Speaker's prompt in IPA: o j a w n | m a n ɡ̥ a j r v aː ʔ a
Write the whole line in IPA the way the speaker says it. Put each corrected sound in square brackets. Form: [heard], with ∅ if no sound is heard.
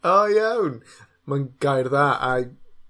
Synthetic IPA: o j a w n | m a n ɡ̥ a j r [ð] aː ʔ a